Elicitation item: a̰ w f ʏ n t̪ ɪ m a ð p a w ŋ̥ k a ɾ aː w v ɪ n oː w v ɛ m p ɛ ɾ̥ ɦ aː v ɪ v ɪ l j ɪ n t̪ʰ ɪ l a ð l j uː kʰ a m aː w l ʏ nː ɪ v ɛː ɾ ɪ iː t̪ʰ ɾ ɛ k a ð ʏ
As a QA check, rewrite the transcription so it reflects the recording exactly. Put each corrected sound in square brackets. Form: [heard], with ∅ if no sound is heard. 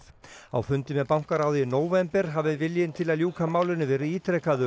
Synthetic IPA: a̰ w f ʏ n t̪ ɪ m [ɛ] ð p a w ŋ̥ k a ɾ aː w [ð] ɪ n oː w v ɛ m p ɛ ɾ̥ ɦ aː v ɪ v ɪ l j ɪ n t̪ʰ ɪ l a ð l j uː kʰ a m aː w l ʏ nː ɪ v ɛː ɾ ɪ iː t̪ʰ ɾ ɛ k a ð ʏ